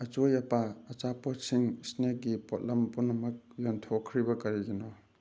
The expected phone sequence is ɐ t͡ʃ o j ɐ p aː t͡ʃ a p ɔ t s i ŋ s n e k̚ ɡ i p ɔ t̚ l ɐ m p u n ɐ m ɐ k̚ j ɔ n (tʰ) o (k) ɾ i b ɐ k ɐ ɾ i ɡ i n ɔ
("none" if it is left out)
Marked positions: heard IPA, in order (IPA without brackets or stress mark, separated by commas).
tʰ, kʰ